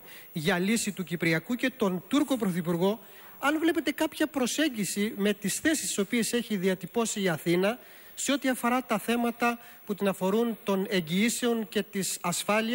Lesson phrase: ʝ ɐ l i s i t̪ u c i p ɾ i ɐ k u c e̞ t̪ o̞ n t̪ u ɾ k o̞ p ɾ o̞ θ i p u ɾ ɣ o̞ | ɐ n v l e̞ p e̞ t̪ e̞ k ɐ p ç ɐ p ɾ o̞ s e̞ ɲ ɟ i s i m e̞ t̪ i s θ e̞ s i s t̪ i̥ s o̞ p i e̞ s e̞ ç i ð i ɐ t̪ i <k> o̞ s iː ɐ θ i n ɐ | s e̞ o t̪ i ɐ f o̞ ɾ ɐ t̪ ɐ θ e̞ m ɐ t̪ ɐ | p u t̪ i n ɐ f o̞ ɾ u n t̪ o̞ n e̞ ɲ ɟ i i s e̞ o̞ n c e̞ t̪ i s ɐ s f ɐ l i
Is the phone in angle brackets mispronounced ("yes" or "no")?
yes